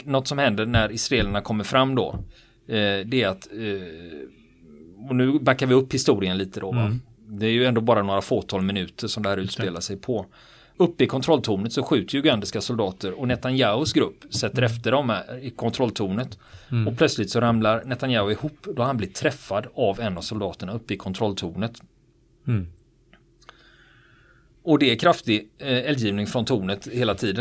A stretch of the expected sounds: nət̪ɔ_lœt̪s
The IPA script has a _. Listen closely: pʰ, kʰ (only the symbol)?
pʰ